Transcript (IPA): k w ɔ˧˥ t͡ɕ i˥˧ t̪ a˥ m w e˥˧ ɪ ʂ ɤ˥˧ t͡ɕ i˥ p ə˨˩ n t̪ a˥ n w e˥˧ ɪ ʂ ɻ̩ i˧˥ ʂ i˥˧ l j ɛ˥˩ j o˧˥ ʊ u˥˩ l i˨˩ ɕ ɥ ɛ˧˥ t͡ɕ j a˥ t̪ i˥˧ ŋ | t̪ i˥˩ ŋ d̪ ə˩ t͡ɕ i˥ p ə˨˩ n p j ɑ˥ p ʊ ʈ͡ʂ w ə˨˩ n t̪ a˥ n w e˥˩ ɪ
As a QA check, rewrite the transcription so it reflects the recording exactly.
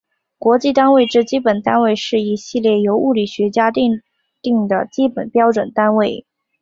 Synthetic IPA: k w ɔ˧˥ t͡ɕ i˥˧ t̪ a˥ n w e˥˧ ɪ ʈ͡ʂ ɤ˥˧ t͡ɕ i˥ p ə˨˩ n t̪ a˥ n w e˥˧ ɪ ʂ ɻ̩ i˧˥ ɕ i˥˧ l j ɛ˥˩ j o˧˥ ʊ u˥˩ l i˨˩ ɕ ɥ ɛ˧˥ t͡ɕ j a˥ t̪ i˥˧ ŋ | t̪ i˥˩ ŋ d̪ ə˩ t͡ɕ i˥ p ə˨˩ n p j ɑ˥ ʊ ʈ͡ʂ w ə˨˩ n t̪ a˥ n w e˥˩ ɪ